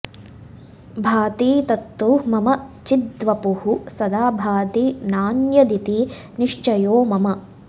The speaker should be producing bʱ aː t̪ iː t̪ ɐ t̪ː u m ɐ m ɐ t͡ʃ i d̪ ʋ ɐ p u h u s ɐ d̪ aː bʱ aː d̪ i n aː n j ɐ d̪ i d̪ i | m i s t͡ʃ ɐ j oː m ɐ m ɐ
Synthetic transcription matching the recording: bʱ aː t̪ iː t̪ ɐ t̪ː u m ɐ m ɐ t͡ʃ i d̪ ʋ ɐ p u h u s ɐ d̪ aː bʱ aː t̪ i n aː n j ɐ d̪ i t̪ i | n i ʂ t͡ʃ ɐ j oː m ɐ m ɐ